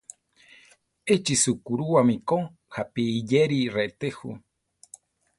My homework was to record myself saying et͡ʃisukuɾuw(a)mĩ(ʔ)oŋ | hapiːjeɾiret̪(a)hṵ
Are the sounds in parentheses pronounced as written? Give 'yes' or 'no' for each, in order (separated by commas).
yes, no, no